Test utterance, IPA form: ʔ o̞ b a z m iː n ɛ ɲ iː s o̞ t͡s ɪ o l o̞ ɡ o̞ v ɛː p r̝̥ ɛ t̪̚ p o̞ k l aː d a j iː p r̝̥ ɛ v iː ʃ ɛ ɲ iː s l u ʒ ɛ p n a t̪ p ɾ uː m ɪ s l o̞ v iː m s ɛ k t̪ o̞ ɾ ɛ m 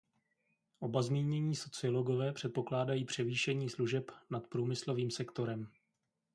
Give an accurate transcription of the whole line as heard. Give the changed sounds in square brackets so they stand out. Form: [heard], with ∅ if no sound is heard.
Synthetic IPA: ʔ o̞ b a z m iː [ɲ] ɛ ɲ iː s o̞ t͡s ɪ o l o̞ ɡ o̞ v ɛː p r̝̥ ɛ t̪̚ p o̞ k l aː d a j iː p r̝̥ ɛ v iː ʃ ɛ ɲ iː s l u ʒ ɛ p n a t̪ p ɾ uː m ɪ s l o̞ v iː m s ɛ k t̪ o̞ ɾ ɛ m